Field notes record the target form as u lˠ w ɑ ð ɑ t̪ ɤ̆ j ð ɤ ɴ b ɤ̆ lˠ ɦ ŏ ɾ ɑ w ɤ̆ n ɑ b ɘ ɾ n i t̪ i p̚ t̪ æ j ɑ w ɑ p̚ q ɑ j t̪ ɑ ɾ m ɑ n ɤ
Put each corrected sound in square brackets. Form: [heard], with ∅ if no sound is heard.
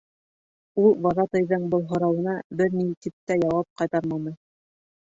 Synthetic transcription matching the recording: u lˠ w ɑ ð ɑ t̪ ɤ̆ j ð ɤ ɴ b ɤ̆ lˠ ɦ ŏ ɾ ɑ w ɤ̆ n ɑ b ɘ ɾ n i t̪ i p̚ t̪ æ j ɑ w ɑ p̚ q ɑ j t̪ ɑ ɾ m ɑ n ɤ